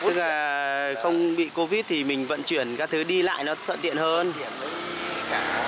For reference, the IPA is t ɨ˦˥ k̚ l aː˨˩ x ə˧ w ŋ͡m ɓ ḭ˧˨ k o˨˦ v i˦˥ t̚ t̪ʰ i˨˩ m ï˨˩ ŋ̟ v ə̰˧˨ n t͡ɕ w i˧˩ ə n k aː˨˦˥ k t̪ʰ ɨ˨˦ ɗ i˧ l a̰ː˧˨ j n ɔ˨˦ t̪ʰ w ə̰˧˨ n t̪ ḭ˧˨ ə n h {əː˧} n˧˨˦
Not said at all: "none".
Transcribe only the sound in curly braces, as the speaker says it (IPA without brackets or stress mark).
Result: əː˧